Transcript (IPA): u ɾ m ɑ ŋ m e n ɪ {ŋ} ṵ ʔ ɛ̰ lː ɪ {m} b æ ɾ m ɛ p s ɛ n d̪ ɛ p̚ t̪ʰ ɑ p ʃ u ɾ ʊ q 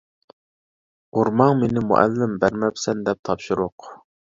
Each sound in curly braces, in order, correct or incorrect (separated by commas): incorrect, correct